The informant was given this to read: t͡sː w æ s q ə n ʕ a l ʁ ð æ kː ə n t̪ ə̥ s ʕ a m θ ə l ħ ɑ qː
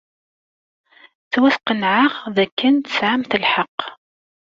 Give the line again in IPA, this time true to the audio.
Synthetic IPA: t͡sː w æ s q ə n ʕ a ʁ ð æ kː ə n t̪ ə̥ s ʕ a m θ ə l ħ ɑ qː

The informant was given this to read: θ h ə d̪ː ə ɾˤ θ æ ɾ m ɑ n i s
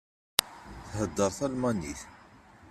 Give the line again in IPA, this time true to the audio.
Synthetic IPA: θ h ə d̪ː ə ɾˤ θ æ l m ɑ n i θ

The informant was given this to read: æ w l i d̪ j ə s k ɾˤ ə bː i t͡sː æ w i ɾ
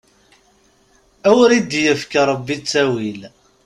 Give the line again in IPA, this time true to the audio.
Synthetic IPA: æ w ɾ i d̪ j ə f k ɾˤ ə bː i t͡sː æ w i l

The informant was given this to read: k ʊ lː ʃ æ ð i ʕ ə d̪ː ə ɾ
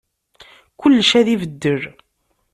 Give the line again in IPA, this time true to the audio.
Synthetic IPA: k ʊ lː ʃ æ ð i v ə d̪ː ə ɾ

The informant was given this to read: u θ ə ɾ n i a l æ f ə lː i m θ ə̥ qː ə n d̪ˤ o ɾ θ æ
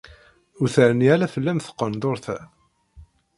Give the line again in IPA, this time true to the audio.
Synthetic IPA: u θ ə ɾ n i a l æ f ə lː æ m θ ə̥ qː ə n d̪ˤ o ɾ θ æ

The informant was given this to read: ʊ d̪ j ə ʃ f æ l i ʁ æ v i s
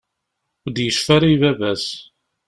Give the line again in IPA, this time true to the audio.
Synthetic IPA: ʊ d̪ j ə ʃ f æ ɾ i v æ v æ s

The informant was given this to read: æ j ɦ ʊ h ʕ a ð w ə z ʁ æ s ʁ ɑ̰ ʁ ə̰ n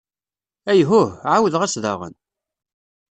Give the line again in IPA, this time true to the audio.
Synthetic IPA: æ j ɦ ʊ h ʕ a w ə ð ʁ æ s ð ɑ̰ ʁ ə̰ n

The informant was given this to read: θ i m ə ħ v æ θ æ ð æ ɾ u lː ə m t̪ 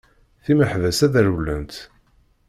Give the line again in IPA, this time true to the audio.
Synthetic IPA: θ i m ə ħ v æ s æ ð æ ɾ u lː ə n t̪

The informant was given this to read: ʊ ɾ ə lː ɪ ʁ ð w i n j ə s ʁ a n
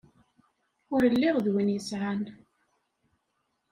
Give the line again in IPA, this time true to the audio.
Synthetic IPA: ʊ ɾ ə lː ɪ ʁ ð w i n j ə s ʕ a n

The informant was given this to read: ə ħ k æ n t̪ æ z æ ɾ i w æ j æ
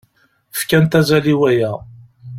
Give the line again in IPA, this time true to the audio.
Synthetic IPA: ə f k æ n t̪ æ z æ l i w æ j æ

